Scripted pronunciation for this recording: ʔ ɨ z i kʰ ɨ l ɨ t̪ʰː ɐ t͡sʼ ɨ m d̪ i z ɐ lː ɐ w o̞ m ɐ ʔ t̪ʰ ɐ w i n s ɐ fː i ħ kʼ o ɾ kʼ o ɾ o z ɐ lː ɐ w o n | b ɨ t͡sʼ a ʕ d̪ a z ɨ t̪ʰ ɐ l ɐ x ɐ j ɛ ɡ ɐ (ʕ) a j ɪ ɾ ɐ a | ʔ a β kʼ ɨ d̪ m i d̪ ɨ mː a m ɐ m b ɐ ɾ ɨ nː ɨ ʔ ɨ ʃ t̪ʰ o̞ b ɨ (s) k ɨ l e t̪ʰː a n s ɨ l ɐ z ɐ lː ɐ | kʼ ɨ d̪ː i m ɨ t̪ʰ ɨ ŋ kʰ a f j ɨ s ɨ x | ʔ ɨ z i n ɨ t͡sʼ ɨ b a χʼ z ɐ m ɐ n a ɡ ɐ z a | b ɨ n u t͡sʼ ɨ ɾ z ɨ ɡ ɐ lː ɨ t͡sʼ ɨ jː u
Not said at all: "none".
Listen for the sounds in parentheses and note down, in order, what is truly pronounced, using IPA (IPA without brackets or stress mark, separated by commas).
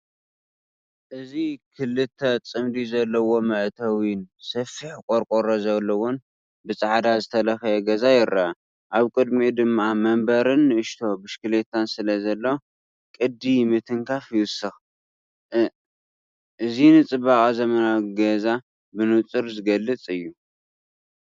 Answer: z, ʃ